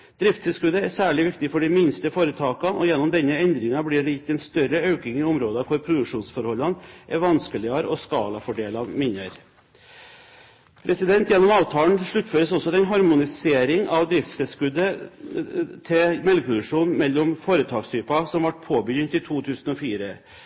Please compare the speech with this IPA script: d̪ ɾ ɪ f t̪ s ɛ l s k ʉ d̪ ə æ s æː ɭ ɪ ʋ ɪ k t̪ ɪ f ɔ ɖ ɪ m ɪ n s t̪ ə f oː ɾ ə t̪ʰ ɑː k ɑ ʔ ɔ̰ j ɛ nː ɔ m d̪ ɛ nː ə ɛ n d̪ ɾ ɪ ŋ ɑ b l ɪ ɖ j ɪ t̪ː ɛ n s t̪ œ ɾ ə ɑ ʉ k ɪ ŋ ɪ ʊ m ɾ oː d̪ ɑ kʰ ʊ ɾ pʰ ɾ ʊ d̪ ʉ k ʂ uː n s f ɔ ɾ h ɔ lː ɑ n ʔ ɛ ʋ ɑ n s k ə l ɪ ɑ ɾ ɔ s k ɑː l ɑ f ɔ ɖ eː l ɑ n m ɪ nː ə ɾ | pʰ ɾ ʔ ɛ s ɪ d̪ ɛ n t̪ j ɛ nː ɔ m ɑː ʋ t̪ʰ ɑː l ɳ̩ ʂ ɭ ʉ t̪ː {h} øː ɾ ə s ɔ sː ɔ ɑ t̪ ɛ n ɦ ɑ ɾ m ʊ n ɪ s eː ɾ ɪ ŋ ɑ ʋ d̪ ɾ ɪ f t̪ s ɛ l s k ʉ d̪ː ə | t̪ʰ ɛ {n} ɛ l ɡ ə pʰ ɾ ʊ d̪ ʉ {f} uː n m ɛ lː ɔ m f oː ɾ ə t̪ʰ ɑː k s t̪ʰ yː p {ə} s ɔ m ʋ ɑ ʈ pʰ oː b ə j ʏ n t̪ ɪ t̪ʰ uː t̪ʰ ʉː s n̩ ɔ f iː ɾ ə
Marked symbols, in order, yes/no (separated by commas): no, no, no, no